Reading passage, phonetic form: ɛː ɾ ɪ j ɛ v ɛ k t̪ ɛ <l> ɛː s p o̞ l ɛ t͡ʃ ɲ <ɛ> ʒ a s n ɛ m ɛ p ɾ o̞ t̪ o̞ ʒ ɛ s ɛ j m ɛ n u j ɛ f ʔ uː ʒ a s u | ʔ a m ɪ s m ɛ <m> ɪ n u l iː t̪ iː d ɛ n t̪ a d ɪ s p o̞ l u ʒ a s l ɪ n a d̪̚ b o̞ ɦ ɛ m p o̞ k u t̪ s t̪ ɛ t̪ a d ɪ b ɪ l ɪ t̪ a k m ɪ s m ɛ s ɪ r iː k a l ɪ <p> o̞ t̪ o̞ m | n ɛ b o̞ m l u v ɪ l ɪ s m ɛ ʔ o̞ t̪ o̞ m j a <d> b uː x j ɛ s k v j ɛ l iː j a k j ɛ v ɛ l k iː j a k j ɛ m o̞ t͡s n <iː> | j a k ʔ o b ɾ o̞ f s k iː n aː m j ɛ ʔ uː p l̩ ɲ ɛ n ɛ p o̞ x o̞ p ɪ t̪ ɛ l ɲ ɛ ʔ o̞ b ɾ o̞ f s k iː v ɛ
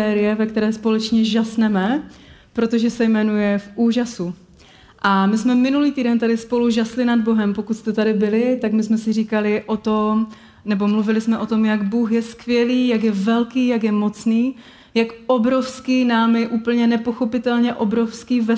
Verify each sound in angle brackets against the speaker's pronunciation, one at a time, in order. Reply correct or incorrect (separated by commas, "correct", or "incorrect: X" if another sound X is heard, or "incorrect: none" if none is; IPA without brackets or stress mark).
incorrect: ɾ, correct, correct, incorrect: ʔ, incorrect: ɡ, correct